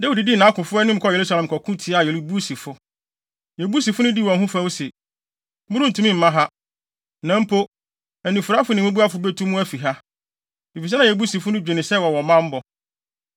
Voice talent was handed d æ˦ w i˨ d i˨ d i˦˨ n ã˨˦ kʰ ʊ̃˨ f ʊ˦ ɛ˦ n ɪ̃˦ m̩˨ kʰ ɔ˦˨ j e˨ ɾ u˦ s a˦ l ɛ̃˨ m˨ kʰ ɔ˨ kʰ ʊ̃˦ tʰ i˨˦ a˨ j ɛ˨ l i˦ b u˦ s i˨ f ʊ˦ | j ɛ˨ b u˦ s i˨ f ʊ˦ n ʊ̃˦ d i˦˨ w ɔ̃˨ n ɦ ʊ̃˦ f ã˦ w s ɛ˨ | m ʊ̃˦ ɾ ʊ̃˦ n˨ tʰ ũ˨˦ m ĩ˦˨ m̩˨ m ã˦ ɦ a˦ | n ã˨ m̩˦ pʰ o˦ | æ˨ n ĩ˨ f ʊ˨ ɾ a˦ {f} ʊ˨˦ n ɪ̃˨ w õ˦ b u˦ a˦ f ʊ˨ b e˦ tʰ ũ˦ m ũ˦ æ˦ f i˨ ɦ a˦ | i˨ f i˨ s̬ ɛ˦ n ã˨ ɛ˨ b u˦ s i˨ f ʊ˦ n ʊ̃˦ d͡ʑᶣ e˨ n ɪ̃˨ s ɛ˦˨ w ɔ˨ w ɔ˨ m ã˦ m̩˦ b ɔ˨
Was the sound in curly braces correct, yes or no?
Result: yes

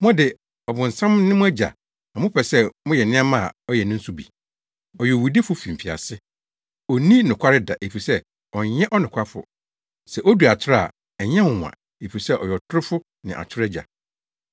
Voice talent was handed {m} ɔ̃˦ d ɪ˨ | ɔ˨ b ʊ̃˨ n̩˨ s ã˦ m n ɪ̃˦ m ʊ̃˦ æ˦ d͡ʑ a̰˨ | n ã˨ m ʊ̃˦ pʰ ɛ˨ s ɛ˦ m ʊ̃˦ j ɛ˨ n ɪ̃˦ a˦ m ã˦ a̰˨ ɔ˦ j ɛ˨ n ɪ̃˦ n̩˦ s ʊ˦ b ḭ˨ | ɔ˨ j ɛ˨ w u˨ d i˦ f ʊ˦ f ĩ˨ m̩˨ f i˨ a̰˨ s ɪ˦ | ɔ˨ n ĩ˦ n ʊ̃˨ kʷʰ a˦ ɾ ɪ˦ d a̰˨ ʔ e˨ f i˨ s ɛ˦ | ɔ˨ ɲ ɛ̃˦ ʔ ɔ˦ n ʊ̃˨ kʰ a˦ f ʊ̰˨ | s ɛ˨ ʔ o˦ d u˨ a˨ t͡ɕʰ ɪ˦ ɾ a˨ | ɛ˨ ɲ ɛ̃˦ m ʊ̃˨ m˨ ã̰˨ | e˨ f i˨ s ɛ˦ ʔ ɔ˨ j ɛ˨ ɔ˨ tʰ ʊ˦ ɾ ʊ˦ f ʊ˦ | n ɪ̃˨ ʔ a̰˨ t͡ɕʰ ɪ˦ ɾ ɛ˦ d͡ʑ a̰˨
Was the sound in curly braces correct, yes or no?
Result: yes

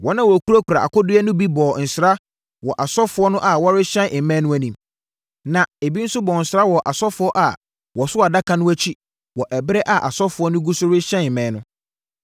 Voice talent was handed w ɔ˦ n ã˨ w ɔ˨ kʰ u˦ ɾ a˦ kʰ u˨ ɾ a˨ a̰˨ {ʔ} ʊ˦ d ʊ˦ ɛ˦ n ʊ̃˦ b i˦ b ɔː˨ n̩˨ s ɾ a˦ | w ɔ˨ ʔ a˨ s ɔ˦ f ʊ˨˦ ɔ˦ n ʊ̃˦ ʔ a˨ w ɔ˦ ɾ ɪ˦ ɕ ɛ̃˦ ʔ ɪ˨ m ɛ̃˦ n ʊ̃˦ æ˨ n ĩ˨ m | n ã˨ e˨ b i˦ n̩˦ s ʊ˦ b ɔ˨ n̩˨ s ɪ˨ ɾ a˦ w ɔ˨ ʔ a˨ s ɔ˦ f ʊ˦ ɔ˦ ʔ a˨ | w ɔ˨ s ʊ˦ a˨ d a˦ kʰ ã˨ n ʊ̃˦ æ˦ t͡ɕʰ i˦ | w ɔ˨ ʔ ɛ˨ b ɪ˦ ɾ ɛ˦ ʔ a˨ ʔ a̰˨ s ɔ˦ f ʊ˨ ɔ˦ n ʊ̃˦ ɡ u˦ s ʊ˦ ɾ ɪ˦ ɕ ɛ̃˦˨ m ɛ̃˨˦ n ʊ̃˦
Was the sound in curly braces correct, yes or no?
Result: no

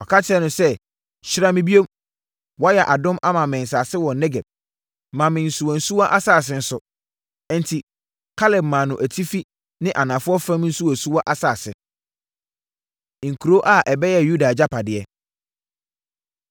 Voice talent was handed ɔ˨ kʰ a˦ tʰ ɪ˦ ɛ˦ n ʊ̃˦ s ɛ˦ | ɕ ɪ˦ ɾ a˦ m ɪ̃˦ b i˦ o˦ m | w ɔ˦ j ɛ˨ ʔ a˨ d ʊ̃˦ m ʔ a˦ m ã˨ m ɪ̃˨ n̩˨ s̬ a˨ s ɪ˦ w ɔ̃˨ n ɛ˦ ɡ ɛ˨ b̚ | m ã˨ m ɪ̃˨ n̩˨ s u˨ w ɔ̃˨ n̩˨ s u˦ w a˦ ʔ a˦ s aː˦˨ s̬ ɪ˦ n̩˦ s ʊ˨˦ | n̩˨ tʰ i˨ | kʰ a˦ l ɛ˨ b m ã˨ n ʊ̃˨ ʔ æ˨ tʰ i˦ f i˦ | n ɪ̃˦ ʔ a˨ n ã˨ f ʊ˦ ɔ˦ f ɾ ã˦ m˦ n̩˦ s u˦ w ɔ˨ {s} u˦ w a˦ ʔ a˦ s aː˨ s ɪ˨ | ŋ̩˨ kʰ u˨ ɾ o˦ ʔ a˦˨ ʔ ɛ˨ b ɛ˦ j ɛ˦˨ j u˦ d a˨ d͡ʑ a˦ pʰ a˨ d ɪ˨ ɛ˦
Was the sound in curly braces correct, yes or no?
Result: yes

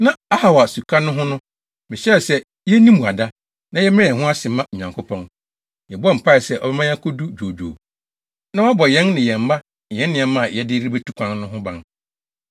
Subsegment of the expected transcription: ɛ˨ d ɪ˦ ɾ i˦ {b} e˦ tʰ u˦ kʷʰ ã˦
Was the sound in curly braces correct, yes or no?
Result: yes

